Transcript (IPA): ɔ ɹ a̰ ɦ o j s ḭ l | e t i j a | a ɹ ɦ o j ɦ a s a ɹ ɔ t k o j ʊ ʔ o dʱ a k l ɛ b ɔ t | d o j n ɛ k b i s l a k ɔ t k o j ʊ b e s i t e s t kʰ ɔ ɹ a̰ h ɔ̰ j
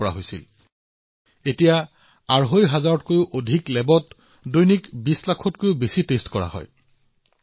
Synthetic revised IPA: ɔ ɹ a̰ ɦ o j s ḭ l | e t i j a | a ɹ ɦ o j ɦ a z a ɹ ɔ t k o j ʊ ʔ o dʱ i k l ɛ b ɔ t | d o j n i k b i s l a kʰ ɔ t k o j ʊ b e s i t e s t k ɔ ɹ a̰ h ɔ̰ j